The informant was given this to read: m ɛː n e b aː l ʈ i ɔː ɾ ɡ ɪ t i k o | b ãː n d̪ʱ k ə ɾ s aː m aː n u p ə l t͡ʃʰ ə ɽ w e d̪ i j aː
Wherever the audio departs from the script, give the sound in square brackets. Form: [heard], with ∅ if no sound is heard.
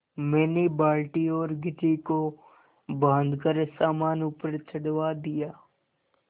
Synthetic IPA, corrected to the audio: m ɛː n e b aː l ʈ i ɔː ɾ ɡ ɪ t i k o | b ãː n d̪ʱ k ə ɾ s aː m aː n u p ə [ɾ] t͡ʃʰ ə ɽ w [a] d̪ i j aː